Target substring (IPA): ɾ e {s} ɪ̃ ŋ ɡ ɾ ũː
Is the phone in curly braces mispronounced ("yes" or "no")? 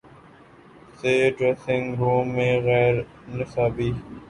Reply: no